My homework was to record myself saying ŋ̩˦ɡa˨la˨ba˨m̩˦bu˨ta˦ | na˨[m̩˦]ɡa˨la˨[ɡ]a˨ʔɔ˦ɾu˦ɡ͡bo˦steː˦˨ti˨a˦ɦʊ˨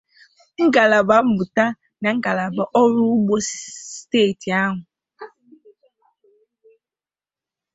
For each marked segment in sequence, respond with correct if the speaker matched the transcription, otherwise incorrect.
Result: incorrect, incorrect

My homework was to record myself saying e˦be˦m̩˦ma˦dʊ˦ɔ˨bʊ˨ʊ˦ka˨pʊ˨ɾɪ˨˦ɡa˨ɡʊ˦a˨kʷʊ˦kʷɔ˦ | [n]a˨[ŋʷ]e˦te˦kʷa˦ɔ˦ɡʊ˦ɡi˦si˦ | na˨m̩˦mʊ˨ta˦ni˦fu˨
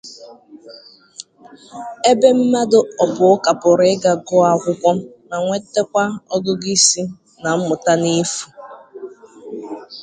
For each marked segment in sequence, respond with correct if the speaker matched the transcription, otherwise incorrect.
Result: correct, correct

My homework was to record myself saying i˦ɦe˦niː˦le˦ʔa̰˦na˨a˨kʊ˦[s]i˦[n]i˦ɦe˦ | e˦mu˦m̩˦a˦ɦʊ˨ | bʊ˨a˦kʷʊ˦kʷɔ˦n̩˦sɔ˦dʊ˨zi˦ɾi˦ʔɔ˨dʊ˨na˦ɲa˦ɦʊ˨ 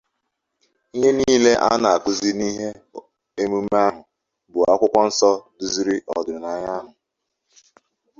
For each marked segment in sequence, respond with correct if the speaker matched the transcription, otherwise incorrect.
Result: incorrect, correct

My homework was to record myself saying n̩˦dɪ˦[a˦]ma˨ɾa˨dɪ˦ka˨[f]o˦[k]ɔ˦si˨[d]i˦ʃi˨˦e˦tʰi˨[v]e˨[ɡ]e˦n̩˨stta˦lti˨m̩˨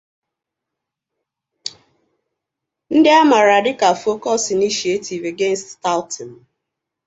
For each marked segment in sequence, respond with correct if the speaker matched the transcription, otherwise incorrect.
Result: correct, correct, correct, incorrect, correct, correct

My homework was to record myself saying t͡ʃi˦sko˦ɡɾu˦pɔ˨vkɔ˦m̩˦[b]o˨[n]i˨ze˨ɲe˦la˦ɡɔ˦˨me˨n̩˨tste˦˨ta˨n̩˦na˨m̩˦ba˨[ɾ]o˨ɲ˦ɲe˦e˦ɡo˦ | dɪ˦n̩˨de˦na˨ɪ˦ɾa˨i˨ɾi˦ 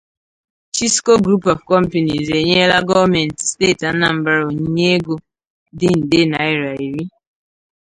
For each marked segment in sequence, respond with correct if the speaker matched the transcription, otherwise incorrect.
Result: incorrect, correct, correct

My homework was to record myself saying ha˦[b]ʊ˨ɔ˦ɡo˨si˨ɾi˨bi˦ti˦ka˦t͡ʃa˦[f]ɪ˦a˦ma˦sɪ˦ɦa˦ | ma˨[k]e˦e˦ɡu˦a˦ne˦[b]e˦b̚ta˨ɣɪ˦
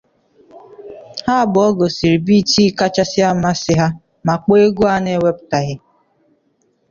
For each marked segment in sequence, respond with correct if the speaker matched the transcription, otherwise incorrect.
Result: correct, incorrect, incorrect, incorrect

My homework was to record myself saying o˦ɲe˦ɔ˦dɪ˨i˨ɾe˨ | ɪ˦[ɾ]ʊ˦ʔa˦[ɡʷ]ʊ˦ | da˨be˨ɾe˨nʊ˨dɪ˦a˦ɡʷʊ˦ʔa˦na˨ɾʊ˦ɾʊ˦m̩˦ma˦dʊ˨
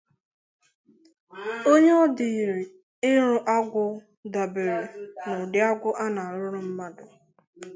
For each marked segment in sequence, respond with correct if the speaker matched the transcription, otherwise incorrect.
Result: correct, correct

